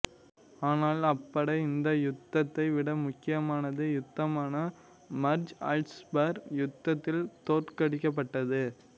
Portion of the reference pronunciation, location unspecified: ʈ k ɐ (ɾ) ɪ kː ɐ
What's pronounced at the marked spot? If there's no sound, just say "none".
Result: ɽ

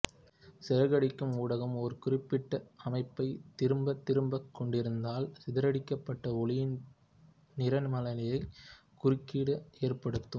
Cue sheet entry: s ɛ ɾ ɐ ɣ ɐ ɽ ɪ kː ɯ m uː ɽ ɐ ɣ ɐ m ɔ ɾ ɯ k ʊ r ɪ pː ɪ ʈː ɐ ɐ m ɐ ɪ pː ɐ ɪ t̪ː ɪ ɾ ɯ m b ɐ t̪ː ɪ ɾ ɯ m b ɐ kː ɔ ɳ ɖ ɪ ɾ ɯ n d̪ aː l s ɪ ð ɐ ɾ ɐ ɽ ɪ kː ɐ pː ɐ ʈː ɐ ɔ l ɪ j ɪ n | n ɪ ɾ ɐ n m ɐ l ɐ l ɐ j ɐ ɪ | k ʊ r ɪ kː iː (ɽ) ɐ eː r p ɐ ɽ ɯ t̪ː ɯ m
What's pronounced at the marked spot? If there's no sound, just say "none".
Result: ɽ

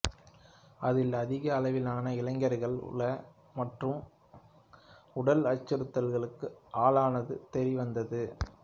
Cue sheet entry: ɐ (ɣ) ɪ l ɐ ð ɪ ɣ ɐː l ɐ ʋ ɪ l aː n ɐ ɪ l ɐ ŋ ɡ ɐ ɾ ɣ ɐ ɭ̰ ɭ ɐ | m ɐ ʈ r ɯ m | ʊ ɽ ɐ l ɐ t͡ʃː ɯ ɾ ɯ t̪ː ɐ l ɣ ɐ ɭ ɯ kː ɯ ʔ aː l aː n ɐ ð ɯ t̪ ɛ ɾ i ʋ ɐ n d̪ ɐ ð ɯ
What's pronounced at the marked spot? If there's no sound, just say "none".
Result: ð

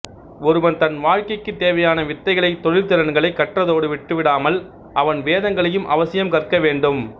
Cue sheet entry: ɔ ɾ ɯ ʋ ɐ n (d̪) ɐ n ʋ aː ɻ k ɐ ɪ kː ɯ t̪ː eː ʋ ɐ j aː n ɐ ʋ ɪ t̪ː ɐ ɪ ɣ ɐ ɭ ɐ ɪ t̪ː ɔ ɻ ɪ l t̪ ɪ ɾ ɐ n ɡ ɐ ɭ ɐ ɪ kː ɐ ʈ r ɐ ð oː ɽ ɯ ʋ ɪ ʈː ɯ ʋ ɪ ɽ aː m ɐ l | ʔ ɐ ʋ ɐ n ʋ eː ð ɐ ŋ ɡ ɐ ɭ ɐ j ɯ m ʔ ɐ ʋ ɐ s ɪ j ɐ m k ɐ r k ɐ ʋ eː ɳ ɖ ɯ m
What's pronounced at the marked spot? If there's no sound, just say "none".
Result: t̪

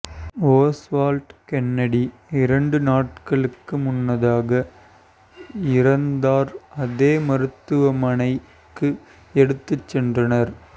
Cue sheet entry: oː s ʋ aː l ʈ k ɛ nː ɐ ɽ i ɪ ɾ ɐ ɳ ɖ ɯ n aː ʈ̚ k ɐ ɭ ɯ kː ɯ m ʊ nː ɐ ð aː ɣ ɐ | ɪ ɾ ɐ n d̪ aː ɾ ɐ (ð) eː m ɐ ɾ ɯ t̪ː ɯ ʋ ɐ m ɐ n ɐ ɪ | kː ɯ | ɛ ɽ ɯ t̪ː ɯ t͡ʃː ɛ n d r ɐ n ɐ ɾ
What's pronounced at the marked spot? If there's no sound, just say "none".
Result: ð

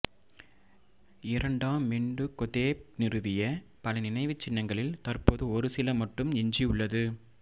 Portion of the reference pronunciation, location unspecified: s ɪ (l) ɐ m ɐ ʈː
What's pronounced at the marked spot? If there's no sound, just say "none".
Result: l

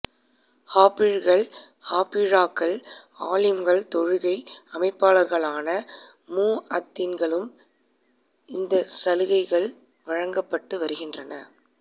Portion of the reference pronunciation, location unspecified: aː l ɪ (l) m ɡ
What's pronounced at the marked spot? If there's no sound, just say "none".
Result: none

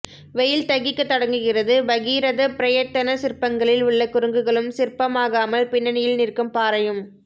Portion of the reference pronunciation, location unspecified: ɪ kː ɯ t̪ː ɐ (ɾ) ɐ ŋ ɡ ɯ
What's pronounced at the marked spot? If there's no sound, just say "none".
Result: ɽ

